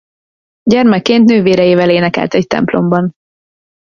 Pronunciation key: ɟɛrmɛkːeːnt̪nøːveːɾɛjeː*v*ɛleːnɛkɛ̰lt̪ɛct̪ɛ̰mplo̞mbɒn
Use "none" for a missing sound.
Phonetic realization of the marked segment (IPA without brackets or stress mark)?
v